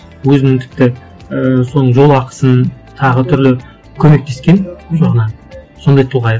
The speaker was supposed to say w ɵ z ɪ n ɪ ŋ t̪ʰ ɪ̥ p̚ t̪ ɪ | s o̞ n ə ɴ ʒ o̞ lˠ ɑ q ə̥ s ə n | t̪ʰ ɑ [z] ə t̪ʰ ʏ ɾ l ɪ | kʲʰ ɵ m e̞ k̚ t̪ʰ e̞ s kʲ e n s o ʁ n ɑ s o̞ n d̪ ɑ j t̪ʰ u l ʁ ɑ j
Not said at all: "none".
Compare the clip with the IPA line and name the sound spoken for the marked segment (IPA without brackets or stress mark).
ʁ